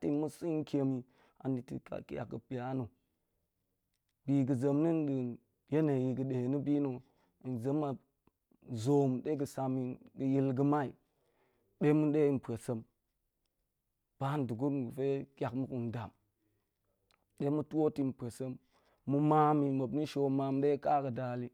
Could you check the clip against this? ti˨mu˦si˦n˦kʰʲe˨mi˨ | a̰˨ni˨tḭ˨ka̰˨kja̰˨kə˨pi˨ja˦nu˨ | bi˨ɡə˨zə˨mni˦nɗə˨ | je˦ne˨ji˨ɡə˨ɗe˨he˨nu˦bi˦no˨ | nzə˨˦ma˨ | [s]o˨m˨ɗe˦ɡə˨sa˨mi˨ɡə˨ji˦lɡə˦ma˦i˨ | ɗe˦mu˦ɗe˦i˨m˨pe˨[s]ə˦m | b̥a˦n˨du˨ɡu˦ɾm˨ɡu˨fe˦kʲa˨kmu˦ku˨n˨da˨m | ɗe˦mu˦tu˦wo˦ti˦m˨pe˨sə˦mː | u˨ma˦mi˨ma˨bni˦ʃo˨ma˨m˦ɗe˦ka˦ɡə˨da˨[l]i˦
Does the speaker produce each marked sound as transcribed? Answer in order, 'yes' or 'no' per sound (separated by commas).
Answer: no, yes, yes